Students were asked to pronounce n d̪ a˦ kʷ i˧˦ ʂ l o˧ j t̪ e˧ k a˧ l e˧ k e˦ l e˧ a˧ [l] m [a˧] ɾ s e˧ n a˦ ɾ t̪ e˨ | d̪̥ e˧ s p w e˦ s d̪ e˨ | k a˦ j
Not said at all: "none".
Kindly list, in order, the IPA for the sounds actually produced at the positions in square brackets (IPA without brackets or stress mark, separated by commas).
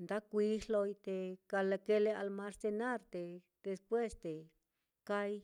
l, a˧